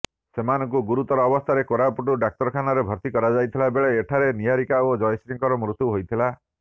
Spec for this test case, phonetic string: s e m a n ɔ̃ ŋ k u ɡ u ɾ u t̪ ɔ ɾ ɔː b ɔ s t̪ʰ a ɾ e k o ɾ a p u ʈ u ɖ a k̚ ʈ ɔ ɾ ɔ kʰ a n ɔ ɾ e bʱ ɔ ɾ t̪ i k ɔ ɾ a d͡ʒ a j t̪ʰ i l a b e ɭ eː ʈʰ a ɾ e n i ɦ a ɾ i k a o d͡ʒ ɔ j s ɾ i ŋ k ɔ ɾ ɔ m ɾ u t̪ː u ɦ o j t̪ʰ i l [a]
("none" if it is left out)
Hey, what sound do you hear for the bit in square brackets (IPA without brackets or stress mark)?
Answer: a